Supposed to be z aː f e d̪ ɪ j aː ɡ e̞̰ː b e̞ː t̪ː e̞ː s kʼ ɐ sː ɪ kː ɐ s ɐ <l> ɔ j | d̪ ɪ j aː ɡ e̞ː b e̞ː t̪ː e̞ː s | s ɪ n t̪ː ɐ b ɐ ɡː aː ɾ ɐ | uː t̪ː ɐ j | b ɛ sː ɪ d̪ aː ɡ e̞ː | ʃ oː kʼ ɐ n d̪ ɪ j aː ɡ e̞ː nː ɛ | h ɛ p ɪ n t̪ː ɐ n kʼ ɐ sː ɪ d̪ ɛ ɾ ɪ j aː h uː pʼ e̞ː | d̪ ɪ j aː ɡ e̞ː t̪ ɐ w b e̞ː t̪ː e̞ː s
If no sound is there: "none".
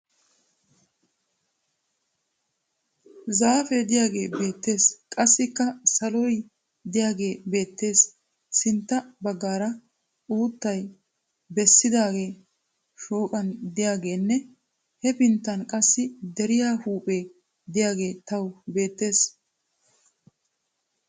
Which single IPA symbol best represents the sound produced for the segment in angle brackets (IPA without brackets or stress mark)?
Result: l